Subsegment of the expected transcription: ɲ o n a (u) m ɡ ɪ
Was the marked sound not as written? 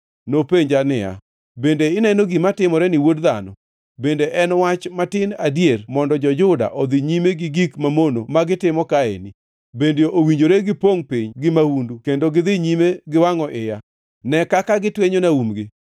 no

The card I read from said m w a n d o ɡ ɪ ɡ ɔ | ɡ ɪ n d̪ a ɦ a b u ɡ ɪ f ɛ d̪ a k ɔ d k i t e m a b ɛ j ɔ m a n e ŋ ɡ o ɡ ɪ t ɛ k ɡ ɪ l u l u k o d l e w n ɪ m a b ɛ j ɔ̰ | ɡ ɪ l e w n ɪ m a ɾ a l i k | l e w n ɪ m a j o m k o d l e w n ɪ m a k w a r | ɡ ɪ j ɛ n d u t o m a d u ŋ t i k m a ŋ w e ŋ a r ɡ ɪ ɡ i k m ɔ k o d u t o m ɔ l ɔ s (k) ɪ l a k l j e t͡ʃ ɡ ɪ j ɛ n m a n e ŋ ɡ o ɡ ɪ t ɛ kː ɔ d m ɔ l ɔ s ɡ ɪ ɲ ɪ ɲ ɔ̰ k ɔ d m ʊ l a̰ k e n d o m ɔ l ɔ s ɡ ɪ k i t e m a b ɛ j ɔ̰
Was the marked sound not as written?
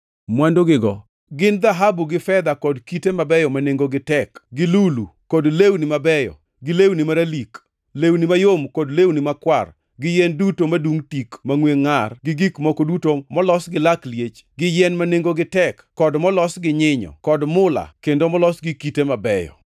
yes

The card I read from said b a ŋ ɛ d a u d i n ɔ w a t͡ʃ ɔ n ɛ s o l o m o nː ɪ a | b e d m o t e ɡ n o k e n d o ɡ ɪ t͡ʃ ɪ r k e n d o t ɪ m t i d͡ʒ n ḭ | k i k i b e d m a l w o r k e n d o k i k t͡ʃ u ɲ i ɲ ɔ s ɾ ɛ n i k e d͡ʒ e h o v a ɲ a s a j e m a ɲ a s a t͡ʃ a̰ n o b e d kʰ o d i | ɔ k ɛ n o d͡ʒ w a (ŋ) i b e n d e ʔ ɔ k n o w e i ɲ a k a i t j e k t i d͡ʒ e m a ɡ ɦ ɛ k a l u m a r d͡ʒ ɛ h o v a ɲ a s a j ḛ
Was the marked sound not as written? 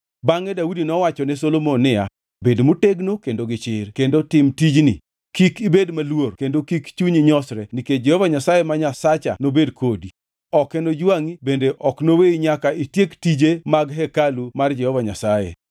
no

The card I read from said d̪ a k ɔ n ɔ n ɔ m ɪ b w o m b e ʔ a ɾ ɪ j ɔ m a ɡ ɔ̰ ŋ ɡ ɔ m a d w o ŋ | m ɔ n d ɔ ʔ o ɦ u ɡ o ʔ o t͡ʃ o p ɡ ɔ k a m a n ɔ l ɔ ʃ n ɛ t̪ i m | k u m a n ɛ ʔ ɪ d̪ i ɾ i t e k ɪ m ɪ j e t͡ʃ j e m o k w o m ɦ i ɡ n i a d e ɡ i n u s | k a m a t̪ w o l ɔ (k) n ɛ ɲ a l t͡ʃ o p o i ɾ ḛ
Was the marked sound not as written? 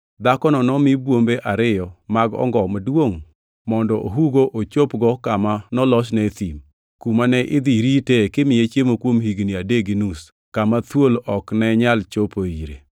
no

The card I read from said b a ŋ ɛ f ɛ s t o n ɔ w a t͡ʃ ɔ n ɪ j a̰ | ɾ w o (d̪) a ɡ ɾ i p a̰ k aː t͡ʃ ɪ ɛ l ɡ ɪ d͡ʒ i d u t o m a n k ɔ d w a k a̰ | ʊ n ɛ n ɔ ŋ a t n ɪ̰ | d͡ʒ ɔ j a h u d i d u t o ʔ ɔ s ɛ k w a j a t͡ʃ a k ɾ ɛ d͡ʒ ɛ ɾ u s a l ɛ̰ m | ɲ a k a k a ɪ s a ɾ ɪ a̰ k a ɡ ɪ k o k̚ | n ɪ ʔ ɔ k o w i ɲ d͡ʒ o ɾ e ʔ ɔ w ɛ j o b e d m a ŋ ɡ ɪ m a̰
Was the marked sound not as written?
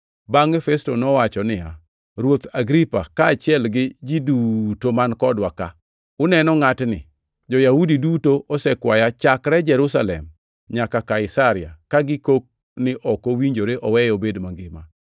yes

